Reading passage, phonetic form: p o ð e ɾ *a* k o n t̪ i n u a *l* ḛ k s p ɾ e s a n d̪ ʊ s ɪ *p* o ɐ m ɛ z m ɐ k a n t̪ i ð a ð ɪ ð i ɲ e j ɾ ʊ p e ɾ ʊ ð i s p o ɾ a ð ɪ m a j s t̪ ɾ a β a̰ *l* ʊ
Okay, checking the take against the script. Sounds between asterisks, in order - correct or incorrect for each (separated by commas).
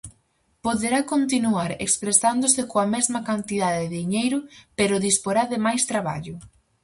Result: correct, incorrect, incorrect, incorrect